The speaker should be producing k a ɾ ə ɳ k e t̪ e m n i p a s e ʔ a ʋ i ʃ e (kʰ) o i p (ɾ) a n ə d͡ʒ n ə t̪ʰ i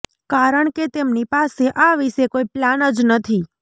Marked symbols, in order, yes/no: no, no

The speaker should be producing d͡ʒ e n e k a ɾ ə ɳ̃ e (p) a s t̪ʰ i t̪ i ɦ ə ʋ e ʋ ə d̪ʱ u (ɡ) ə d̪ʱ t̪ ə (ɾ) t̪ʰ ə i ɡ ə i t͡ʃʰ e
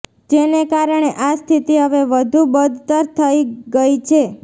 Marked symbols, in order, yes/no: no, no, yes

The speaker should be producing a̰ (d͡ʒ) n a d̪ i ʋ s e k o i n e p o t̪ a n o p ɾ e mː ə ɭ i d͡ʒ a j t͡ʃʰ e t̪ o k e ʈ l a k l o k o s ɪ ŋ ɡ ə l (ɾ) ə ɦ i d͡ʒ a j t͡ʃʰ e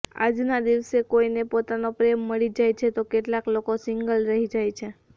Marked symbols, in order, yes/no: yes, yes

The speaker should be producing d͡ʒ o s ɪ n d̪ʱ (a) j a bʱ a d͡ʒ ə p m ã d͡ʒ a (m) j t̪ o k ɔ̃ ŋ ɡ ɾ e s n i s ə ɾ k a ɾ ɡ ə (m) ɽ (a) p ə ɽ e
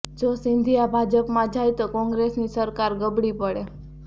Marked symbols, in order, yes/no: no, no, no, no

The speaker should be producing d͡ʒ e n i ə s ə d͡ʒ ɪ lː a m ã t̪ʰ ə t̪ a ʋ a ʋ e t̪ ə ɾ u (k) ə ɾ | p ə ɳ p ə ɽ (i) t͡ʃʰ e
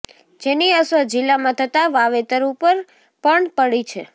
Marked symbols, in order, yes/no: no, yes

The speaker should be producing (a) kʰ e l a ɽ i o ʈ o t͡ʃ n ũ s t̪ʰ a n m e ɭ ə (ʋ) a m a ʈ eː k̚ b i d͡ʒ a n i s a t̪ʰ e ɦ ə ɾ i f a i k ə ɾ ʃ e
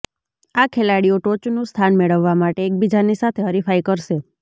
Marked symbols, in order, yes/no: yes, no

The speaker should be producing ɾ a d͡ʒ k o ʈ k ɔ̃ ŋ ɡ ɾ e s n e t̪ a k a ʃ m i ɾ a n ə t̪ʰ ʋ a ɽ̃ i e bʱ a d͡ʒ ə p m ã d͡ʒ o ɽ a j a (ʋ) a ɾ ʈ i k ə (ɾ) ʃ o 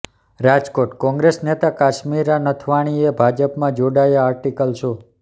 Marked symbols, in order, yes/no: no, no

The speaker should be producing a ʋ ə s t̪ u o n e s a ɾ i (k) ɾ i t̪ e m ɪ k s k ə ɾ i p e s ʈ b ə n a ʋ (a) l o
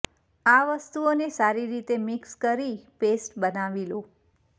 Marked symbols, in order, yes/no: no, no

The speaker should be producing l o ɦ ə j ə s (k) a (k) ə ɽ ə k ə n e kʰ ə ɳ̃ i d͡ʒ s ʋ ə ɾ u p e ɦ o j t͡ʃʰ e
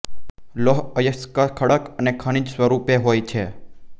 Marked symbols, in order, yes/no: yes, no

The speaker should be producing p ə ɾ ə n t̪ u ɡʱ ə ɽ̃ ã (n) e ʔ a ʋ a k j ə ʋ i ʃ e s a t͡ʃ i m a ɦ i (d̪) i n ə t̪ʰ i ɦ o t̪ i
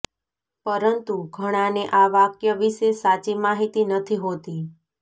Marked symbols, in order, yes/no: yes, no

